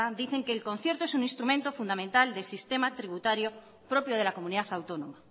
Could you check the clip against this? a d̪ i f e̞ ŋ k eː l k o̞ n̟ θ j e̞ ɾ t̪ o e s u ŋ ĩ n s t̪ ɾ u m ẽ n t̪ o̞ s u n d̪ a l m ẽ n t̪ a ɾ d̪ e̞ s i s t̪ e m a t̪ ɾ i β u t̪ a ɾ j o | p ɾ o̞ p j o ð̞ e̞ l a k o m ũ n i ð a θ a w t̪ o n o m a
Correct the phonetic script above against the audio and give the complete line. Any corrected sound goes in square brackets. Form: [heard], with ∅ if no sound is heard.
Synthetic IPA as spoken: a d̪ i [θ] e̞ ŋ k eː l k o̞ n̟ θ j e̞ ɾ t̪ o e s u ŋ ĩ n s t̪ ɾ u m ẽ n t̪ o̞ [f] u n d̪ a [∅] m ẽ n t̪ a [l] d̪ e̞ s i s t̪ e m a t̪ ɾ i β u t̪ a ɾ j o | p ɾ o̞ p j o ð̞ e̞ l a k o m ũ n i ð a θ a w t̪ o n o m a